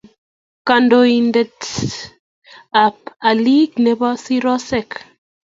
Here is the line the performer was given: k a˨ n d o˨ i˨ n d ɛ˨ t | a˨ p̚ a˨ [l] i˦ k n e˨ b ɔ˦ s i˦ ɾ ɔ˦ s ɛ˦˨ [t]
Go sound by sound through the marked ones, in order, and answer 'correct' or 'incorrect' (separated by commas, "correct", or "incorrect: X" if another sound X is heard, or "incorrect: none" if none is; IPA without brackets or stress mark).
correct, incorrect: k